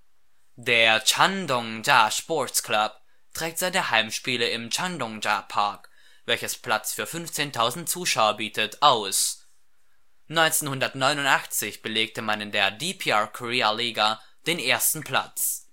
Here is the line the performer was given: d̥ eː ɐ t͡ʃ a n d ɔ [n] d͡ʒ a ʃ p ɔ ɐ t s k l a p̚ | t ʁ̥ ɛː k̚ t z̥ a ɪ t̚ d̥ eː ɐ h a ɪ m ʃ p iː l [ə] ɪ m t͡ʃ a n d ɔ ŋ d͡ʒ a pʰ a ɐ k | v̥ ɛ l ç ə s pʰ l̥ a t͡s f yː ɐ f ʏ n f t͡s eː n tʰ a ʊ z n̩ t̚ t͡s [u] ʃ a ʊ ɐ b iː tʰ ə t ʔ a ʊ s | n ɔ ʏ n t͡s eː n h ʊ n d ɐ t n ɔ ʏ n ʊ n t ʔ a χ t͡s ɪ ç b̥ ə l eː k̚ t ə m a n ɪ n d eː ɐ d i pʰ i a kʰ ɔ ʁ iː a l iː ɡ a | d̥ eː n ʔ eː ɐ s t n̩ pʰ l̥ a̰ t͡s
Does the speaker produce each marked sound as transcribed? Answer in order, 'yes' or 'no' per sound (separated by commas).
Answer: no, yes, no